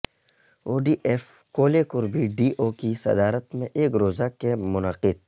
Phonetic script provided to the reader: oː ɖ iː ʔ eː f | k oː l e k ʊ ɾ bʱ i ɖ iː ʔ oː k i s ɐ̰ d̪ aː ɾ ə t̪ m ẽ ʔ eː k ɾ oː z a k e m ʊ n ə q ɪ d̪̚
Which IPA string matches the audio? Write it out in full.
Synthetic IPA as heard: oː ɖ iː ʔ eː f | k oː l e k ʊ ɾ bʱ i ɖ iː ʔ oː k i s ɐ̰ d̪ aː ɾ ə t̪ m ẽ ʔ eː k ɾ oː z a k e m ʊ n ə q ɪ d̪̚

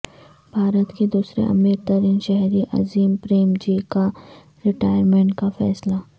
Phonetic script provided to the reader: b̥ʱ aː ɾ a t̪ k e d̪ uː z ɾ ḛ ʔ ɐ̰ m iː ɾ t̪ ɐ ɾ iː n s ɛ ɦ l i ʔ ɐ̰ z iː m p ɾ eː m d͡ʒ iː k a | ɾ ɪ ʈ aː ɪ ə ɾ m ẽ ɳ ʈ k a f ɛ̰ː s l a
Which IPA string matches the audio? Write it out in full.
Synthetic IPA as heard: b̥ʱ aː ɾ ə t̪ k e d̪ uː s ɾ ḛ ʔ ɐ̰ m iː ɾ t̪ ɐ ɾ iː n ʃ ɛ ɦ ɾ i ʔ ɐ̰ z iː m p ɾ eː m d͡ʒ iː k a | ɾ ɪ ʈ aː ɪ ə ɾ m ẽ ɳ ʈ k a f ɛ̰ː s l a

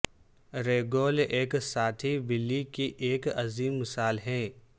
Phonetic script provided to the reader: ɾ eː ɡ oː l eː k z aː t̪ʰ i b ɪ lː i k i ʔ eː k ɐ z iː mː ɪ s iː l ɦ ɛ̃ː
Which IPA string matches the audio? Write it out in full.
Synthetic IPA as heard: ɾ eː ɡ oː l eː k s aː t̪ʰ i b ɪ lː i k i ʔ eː k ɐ z iː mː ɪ s aː l ɦ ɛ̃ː

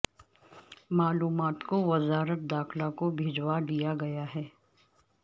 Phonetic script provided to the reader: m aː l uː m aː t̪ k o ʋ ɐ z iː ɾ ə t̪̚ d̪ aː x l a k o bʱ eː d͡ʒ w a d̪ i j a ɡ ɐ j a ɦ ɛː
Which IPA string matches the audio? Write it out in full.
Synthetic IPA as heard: m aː l uː m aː t̪ k o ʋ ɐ z aː ɾ ə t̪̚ d̪ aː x l a k o bʱ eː d͡ʒ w a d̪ i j a ɡ ɐ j a ɦ ɛː

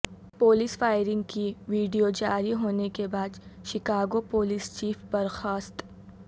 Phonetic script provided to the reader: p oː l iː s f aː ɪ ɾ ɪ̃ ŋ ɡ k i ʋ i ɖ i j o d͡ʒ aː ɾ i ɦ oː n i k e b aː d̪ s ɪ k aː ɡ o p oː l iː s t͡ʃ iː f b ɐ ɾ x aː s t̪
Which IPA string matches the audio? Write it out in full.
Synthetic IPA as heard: p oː l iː s f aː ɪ ɾ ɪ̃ ŋ ɡ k i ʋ iː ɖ i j o d͡ʒ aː ɾ i ɦ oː n e k e b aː d̪ ʃ ɪ k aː ɡ o p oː l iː s t͡ʃ iː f b ɐ ɾ x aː s t̪

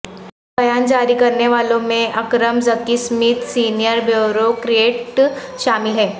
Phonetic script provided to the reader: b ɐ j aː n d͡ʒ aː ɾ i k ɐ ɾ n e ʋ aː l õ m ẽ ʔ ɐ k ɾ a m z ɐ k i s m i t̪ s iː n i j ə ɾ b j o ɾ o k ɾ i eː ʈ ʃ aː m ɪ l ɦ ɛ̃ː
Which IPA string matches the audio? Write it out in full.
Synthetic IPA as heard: b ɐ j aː n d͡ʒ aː ɾ i k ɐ ɾ n e ʋ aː l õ m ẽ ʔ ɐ k ɾ ə m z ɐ k i s m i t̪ s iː n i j ə ɾ b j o ɾ o k ɾ i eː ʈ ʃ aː m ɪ l ɦ ɛː

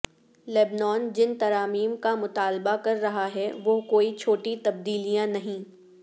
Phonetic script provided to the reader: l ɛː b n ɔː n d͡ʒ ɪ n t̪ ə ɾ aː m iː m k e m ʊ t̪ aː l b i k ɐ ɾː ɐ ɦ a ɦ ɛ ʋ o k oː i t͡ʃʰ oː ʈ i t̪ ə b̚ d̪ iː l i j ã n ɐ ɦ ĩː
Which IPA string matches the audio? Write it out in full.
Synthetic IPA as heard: l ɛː b n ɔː n d͡ʒ ɪ n t̪ ɐ ɾ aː m iː m k a m ʊ t̪ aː l b a k ɐ ɾː ɐ ɦ a ɦ ɛ ʋ o k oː i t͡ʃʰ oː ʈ i t̪ ɐ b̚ d̪ iː l i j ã n ɐ ɦ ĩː

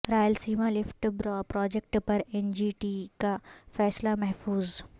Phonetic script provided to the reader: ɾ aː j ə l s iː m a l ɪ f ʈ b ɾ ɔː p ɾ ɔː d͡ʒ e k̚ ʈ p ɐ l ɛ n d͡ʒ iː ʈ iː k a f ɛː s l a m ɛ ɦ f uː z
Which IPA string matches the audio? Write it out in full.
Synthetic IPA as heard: ɾ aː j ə l s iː m a l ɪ f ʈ b ɾ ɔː p ɾ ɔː d͡ʒ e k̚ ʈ p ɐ ɾ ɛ n d͡ʒ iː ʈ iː k a f ɛː s l a m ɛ ɦ f uː z

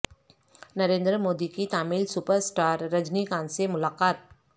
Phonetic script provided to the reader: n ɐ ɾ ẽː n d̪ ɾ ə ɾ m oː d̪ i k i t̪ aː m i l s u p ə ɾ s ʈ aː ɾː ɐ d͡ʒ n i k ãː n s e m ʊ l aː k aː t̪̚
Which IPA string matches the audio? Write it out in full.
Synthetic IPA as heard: n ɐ ɾ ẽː n d̪ ɾ ə m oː d̪ i k i t̪ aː m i l s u p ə ɾ s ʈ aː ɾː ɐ d͡ʒ n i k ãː n s e m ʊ l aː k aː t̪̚

